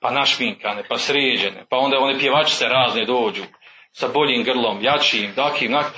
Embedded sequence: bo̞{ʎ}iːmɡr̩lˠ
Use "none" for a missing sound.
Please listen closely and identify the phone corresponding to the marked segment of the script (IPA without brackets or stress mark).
ʎ